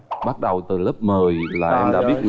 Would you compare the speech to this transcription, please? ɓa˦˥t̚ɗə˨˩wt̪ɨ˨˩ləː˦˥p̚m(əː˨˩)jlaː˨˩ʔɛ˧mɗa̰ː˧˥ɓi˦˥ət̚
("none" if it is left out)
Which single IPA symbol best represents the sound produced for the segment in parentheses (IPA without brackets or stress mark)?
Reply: əː˨˩